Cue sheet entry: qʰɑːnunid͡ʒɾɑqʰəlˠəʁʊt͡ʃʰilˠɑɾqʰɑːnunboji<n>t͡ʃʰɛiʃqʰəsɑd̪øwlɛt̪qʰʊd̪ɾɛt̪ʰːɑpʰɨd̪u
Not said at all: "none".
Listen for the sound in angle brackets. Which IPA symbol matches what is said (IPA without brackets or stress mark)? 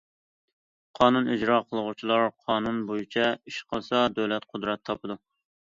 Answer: none